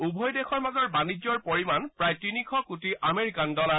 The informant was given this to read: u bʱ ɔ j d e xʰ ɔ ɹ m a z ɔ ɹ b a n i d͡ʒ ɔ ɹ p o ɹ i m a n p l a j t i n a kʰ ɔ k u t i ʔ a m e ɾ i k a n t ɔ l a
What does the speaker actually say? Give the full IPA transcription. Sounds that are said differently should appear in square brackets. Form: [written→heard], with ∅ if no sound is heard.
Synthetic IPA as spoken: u bʱ ɔ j d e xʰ ɔ ɹ m a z ɔ ɹ b a n i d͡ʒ ɔ ɹ p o ɹ i m a n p [l→ɹ] a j t i n [a→i] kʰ ɔ k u t i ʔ a m e [ɾ→ɹ] i k a n [t→d] ɔ l a